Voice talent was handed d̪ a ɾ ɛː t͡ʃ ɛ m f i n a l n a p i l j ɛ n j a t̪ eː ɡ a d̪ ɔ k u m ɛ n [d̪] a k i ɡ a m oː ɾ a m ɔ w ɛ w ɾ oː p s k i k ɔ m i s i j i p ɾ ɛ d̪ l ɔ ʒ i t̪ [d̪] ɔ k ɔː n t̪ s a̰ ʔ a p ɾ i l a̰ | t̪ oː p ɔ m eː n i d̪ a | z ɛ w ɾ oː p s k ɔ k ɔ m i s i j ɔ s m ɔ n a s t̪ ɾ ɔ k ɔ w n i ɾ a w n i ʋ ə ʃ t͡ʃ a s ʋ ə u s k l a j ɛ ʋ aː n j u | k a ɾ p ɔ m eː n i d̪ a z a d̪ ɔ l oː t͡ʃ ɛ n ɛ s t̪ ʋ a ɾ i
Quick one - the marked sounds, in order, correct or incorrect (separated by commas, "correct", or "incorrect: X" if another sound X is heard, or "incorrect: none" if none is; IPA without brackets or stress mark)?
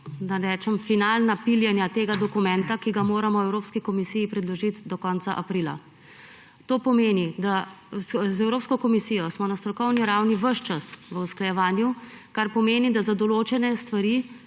incorrect: t̪, correct